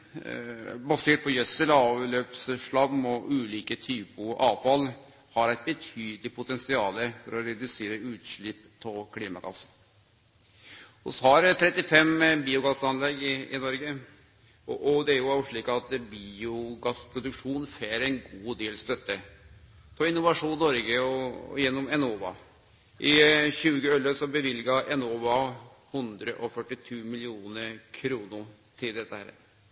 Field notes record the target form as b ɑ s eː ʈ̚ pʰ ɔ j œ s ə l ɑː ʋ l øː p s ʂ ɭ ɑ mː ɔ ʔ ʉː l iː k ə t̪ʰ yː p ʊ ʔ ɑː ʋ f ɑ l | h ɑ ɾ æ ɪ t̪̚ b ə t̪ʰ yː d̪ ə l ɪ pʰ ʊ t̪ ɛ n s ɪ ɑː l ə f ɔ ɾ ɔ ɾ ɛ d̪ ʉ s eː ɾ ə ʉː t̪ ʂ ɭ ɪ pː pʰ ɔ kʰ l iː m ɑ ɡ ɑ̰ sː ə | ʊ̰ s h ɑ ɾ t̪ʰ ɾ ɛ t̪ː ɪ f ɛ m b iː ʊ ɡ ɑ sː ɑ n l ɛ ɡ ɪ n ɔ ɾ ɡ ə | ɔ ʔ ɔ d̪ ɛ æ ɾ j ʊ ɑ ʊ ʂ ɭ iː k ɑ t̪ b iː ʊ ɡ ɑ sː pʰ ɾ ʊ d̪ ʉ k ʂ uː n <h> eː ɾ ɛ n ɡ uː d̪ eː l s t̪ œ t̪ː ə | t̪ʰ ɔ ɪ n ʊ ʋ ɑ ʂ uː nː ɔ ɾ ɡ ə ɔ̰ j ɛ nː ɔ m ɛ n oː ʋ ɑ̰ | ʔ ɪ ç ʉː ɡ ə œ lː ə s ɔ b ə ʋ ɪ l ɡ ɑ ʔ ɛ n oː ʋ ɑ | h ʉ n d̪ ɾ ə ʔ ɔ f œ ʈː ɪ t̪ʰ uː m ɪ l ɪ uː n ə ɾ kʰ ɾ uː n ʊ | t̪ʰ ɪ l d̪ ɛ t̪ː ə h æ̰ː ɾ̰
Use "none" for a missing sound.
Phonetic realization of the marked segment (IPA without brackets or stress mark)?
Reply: f